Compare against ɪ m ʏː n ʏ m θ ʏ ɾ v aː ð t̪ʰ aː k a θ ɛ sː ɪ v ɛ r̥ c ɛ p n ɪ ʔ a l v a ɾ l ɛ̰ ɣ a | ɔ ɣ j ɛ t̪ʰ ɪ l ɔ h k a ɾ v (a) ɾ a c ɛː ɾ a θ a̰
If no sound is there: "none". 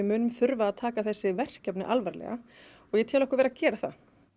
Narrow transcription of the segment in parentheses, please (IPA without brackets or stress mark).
ɛ